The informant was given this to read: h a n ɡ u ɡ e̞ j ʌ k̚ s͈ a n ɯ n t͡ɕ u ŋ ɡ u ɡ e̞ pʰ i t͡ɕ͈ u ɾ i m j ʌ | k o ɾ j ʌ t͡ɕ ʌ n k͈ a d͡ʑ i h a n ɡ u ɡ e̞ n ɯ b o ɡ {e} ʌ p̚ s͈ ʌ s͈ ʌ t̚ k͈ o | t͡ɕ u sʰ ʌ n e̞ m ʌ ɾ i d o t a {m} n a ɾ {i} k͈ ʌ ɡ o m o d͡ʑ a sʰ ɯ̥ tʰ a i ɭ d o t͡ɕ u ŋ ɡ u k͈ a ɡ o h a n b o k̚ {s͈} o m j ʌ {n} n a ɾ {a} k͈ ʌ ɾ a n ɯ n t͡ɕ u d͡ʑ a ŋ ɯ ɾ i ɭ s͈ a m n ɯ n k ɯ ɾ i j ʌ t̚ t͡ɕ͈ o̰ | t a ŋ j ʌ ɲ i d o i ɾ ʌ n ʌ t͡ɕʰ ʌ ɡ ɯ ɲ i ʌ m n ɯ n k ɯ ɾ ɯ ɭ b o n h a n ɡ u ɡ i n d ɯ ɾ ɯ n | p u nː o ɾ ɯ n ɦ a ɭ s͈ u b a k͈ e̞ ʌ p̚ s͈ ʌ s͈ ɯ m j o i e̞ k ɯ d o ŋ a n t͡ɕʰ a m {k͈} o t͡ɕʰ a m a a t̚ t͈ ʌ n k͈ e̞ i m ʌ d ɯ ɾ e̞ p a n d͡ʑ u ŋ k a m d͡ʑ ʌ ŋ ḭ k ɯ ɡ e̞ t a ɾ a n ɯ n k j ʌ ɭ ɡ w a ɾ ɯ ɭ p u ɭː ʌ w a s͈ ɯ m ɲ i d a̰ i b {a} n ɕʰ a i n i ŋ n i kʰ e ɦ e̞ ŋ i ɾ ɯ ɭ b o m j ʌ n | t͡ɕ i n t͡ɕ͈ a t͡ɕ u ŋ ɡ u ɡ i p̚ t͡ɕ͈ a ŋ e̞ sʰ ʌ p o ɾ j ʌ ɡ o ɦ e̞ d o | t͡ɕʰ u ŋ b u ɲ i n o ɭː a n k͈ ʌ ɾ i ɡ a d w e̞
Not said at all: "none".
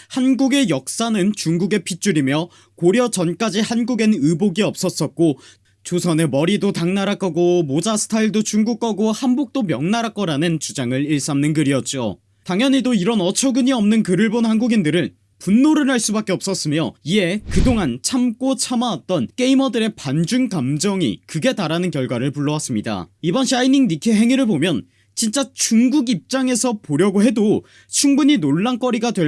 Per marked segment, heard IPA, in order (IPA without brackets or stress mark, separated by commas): i, ŋ, a, t͈, ŋ, a, k͈, ʌ